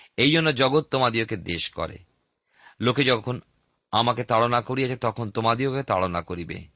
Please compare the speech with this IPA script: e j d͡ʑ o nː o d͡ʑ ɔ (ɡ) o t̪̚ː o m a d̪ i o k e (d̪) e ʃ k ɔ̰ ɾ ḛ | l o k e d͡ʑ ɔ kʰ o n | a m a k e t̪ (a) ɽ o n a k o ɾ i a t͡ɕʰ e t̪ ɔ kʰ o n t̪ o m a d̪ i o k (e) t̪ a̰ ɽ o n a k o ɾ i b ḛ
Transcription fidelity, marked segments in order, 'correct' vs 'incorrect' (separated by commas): correct, correct, correct, correct